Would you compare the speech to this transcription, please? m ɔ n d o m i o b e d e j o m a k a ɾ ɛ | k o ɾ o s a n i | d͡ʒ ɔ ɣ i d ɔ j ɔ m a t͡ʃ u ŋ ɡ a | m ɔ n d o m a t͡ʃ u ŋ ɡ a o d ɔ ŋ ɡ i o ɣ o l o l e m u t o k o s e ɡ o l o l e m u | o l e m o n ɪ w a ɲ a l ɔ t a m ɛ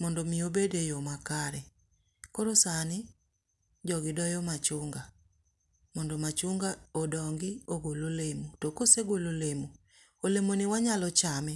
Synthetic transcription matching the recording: m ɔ n d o m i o b e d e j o m a k a ɾ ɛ | k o ɾ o s a n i | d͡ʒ ɔ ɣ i d ɔ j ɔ m a t͡ʃ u ŋ ɡ a | m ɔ n d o m a t͡ʃ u ŋ ɡ a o d ɔ ŋ ɡ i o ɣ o l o l e m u t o k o s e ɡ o l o l e m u | o l e m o n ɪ w a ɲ a l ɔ t͡ʃ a m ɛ